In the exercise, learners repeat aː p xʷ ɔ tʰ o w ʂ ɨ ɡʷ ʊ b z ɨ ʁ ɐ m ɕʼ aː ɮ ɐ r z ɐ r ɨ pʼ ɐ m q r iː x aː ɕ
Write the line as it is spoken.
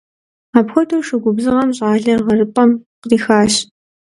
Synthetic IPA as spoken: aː p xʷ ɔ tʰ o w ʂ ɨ ɡʷ ʊ b z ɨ ʁ ɐ m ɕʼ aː ɮ ɐ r ʁ ɐ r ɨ pʼ ɐ m q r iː x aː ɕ